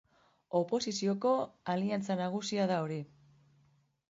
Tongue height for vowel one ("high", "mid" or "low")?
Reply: mid